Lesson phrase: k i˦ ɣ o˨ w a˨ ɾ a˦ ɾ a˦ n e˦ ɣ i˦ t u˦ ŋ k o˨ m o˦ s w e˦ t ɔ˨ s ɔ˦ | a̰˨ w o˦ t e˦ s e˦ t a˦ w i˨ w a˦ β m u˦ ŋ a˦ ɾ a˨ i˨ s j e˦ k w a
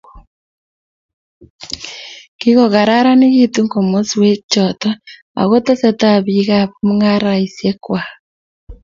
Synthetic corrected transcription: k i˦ ɣ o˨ ɣ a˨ ɾ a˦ ɾ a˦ n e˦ ɣ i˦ t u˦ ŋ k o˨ m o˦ s w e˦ t͡ʃ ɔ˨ t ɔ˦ | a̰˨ ɣ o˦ t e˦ s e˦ t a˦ β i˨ ɣ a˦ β m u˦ ŋ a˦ ɾ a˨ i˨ s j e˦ k w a